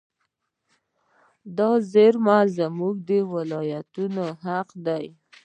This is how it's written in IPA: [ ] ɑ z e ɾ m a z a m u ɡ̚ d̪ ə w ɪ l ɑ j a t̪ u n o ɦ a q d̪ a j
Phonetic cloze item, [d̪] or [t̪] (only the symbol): d̪